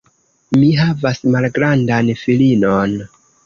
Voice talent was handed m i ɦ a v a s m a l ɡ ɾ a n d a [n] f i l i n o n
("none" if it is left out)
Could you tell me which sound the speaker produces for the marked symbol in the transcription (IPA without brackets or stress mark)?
n